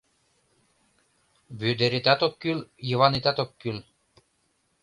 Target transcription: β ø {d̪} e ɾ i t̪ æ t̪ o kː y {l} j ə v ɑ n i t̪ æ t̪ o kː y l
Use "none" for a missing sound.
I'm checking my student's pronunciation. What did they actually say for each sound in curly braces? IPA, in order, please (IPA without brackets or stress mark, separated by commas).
d̪, l